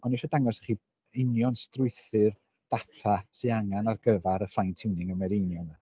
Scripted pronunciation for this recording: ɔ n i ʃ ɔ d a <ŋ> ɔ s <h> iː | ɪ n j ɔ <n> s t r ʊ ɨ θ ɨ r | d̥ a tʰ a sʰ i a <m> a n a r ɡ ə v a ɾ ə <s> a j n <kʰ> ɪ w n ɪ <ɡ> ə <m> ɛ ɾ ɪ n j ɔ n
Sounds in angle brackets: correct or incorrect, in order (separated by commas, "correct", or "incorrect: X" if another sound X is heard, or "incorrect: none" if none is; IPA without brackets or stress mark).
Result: correct, incorrect: χ, correct, incorrect: ŋ, incorrect: f, incorrect: tʰ, incorrect: ŋ, correct